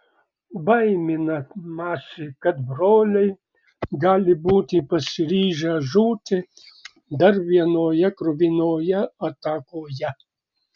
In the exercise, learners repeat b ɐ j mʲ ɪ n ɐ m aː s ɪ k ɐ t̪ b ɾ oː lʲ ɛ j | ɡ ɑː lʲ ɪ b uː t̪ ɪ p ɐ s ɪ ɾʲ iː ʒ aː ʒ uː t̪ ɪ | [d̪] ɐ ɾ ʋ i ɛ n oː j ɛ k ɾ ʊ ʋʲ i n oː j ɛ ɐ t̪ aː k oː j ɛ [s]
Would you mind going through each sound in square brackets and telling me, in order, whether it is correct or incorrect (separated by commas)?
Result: correct, incorrect